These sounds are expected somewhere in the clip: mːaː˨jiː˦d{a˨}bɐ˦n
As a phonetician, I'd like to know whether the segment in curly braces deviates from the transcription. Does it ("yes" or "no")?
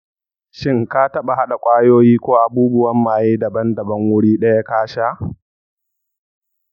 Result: yes